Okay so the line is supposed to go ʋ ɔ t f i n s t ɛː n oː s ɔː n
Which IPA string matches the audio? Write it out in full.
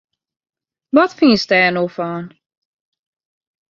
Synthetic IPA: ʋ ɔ t f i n s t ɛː n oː f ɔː n